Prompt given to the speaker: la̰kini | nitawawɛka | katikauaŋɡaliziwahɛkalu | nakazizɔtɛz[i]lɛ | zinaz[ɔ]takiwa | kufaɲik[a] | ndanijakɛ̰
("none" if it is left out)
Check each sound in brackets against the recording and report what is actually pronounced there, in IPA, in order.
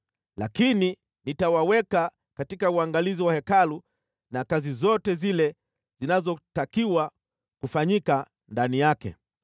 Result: i, ɔ, a

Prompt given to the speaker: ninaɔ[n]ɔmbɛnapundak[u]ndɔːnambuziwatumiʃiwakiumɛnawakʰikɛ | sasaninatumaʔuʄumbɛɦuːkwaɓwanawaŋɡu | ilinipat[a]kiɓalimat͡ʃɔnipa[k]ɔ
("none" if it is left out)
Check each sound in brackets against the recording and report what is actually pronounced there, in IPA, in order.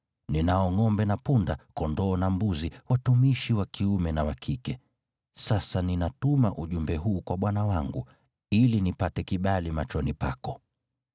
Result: ŋ, ɔ, ɛ, k

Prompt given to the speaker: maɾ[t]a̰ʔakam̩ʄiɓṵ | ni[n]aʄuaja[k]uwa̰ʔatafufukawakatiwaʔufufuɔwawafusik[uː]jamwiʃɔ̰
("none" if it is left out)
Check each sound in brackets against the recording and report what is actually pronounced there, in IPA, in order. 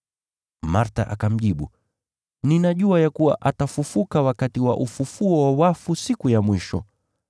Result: t, n, k, u

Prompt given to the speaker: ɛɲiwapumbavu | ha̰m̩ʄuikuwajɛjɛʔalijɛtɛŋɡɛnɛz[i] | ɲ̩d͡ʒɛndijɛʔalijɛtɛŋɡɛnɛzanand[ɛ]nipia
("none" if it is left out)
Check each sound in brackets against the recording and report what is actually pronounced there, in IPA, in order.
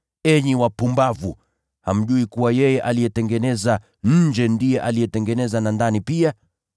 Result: a, a

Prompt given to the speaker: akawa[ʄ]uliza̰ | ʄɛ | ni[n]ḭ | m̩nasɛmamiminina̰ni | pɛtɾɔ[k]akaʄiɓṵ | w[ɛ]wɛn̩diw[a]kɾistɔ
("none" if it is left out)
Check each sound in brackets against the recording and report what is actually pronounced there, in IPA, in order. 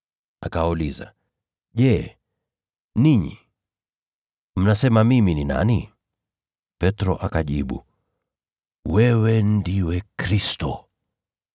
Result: none, ɲ, ʔ, ɛ, ɛ

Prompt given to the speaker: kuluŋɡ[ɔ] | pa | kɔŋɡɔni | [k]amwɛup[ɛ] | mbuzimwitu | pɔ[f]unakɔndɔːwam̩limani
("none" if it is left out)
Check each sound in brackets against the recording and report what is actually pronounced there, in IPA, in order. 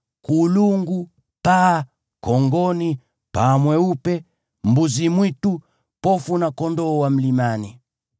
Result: u, p, ɛ, f

